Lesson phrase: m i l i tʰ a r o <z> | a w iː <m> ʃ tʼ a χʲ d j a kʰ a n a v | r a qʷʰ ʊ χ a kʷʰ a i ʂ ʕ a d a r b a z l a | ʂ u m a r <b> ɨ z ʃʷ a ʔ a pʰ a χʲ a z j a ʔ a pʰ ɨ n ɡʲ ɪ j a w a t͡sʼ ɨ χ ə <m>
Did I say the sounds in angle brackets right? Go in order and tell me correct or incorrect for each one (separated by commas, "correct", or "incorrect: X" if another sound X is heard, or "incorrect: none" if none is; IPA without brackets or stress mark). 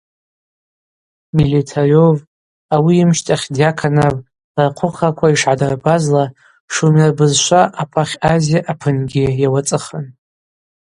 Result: incorrect: v, correct, correct, incorrect: n